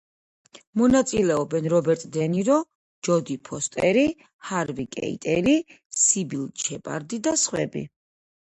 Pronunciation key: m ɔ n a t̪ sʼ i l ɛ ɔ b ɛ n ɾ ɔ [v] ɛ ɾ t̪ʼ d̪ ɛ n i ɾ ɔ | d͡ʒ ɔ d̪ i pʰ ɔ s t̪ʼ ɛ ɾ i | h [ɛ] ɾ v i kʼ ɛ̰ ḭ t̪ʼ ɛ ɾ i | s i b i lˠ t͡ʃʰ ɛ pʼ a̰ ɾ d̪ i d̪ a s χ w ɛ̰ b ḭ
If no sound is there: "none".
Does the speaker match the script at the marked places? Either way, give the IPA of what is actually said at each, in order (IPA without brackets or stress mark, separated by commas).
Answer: b, a